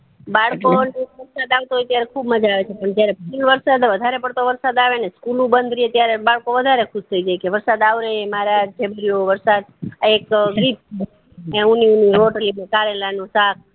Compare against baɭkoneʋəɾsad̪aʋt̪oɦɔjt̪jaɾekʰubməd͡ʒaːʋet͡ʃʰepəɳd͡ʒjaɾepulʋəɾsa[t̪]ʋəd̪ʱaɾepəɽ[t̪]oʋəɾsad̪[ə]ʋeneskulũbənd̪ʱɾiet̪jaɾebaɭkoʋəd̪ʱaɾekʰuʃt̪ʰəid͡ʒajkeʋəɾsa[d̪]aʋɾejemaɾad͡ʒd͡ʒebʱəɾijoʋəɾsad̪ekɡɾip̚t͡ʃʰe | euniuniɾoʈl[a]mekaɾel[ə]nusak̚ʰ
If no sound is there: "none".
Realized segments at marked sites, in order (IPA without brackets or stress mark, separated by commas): d̪, t̪, a, d̪, i, a